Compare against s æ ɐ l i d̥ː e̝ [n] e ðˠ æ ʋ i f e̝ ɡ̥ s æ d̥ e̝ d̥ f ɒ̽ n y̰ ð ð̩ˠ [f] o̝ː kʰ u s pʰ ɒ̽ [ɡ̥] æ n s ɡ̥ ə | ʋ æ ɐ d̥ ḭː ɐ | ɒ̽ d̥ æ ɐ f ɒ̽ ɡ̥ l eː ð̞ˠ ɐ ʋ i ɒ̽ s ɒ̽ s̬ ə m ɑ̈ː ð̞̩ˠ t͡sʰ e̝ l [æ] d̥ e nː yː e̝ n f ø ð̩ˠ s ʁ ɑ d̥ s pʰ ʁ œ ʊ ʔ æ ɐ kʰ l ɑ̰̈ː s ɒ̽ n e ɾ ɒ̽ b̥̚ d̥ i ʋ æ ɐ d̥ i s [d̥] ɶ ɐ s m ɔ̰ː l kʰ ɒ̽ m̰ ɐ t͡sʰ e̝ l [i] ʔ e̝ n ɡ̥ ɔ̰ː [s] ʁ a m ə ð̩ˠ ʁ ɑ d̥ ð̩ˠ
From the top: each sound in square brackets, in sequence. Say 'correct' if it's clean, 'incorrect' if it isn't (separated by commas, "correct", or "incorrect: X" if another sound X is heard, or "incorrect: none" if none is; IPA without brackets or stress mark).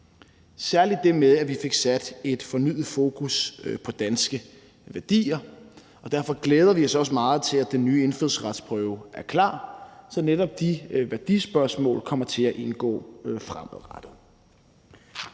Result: incorrect: m, correct, incorrect: d̥, correct, incorrect: b̥, incorrect: æ, incorrect: f